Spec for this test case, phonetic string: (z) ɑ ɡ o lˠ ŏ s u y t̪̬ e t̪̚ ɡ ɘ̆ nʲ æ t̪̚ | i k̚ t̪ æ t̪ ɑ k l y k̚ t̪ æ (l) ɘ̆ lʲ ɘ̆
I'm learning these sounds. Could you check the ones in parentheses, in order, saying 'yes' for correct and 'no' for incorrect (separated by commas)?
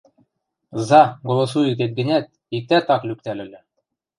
yes, yes